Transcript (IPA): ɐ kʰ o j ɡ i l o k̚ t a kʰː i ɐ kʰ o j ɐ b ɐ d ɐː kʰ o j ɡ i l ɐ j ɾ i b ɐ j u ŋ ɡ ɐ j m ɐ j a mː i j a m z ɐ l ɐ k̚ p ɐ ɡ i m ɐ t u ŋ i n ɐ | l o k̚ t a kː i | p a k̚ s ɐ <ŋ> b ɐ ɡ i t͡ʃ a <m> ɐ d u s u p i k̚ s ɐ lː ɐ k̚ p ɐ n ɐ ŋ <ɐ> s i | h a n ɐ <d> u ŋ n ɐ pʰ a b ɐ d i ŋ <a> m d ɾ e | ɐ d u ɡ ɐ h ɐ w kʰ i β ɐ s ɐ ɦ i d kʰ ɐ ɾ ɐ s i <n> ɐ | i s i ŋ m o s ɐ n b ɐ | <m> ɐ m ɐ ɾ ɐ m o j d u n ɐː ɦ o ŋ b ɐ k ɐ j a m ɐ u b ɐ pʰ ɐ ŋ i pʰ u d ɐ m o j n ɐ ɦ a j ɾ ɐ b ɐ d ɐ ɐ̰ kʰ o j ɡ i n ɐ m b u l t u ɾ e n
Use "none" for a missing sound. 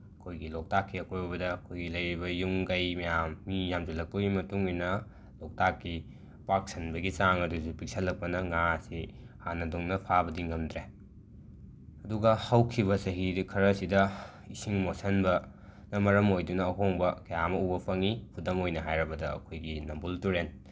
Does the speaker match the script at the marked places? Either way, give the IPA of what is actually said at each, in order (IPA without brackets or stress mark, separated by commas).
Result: n, ŋ, a, d, ɐ, d, n